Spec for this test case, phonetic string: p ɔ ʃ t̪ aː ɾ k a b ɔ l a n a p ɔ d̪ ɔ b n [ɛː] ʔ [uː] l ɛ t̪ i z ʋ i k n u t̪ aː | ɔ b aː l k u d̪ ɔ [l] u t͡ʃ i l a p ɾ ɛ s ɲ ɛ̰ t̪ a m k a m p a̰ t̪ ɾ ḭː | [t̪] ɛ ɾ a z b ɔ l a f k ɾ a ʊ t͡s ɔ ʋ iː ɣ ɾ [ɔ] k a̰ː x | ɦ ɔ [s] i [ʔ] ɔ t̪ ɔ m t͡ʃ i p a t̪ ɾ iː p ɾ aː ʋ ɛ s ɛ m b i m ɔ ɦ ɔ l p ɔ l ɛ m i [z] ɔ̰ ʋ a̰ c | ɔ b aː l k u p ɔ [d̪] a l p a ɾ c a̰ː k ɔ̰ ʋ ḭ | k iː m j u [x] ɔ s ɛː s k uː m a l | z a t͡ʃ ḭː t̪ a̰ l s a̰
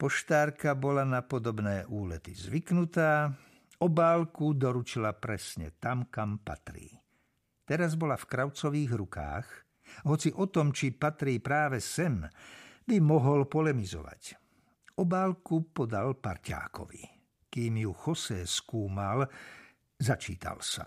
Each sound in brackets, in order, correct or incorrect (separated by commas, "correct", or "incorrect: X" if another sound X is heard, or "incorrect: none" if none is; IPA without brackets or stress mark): correct, correct, incorrect: ɾ, correct, incorrect: u, incorrect: t͡s, correct, correct, correct, correct